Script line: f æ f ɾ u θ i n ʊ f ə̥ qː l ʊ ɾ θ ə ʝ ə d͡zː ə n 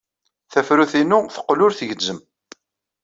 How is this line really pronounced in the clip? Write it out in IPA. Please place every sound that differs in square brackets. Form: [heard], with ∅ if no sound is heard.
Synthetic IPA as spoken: [θ] æ f ɾ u θ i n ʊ [θ] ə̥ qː l ʊ ɾ θ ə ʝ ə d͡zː ə [m]

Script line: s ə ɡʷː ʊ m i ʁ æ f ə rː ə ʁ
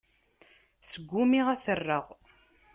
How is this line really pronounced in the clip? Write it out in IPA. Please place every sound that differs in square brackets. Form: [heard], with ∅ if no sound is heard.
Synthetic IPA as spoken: s ə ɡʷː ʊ m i ʁ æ [θ] ə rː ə ʁ

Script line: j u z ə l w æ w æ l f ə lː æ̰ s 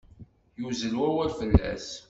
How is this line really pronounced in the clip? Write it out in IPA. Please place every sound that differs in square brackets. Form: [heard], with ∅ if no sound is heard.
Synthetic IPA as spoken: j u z ə l w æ w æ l f ə lː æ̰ s

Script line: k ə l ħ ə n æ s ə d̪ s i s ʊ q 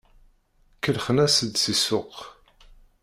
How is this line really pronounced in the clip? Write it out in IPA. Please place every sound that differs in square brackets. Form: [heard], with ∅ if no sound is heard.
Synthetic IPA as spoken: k ə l [χ] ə n æ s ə d̪ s i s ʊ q

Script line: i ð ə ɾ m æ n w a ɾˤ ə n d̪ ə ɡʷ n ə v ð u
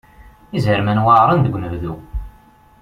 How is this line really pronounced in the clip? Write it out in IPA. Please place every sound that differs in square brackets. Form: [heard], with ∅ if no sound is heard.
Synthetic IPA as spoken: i [z] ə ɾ m æ n w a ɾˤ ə n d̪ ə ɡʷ n ə v ð u

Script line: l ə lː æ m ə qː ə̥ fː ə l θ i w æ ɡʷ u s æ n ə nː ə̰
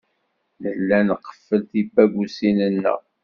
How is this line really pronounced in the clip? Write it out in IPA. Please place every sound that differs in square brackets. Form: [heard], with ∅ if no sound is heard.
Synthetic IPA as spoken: l ə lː æ [n] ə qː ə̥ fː ə l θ i [b] æ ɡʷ u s [i] n ə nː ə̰

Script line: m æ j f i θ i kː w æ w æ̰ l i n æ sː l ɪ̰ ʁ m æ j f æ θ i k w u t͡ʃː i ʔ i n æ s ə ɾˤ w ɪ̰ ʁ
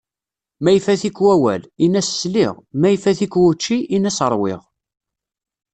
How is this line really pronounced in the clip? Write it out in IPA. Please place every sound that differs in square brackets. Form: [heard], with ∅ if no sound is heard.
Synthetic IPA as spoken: m æ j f [æ] θ i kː w æ w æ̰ l i n æ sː l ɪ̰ ʁ m æ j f æ θ i k w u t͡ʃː i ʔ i n æ s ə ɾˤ w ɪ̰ ʁ

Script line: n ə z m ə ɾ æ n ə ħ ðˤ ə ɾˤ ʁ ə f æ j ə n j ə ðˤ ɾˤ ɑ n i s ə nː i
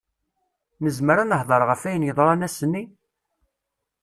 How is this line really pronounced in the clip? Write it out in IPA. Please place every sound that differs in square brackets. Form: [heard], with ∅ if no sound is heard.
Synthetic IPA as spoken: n ə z m ə ɾ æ n ə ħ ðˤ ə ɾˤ ʁ ə f æ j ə n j ə ðˤ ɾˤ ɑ n [æ] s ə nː i

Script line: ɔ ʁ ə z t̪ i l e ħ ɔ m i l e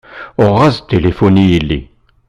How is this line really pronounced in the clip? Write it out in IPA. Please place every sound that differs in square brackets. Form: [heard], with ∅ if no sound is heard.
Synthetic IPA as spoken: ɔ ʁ [a] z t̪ [e] l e [f] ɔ [n] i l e

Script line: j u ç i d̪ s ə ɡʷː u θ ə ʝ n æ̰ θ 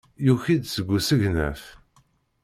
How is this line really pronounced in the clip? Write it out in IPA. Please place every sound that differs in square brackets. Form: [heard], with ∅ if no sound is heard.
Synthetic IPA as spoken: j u ç i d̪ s ə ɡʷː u [s] ə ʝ n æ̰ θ

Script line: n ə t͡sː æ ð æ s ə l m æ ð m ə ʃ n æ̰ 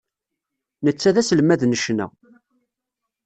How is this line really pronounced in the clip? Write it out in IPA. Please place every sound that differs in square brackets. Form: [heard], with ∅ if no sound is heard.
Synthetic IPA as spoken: n ə t͡sː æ ð æ s ə l m æ ð [n] ə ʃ n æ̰

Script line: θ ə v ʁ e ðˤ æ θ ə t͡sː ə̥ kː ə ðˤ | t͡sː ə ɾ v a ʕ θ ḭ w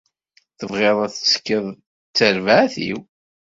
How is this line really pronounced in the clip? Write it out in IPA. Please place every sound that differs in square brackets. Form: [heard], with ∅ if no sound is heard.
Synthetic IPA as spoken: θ ə v ʁ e ðˤ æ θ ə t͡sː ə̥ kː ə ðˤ | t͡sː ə ɾ v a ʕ θ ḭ w

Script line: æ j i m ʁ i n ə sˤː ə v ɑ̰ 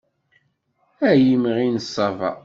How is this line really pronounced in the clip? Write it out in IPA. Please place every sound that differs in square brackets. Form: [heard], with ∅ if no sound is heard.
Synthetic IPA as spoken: æ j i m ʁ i n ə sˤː [ɑ] v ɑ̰

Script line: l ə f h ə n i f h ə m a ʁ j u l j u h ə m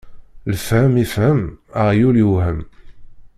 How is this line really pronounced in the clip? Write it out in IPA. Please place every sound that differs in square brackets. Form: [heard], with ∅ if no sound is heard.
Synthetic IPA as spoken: l ə f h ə [m] i f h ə m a ʁ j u l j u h ə m

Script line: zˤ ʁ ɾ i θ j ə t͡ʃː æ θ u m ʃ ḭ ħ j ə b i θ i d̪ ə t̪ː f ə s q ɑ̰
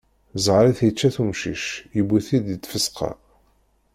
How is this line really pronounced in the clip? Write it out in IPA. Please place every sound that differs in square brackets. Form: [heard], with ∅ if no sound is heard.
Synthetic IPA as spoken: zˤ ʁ ɾ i θ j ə t͡ʃː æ θ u m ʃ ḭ [ʃ] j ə b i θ i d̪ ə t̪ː f ə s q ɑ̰

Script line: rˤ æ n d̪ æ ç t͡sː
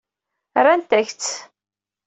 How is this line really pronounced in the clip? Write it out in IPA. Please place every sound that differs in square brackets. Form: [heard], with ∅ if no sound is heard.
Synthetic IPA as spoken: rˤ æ n [t̪] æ ç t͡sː

